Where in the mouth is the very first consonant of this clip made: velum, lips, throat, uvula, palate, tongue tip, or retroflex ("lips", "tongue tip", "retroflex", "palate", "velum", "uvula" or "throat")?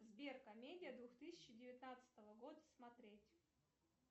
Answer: tongue tip